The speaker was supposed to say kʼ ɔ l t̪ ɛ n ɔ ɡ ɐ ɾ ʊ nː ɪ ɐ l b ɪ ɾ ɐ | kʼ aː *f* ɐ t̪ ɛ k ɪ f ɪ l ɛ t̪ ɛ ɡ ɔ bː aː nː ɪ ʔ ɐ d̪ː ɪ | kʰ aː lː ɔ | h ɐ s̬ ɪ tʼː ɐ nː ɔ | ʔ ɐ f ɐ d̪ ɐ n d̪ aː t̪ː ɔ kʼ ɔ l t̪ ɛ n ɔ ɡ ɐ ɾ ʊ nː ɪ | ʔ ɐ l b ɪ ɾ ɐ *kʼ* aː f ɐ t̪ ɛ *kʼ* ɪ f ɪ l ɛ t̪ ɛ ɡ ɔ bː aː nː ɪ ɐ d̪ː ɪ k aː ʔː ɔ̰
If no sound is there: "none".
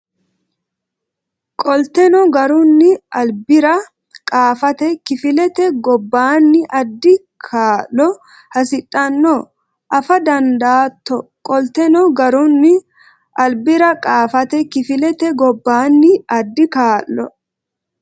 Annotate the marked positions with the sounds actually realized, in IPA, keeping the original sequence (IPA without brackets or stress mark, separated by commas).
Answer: f, kʼ, k